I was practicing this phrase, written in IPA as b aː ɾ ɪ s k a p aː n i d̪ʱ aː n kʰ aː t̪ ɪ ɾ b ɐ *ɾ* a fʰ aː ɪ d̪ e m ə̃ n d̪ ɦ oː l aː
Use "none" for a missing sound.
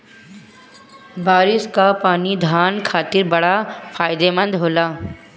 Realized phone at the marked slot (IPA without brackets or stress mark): ɽ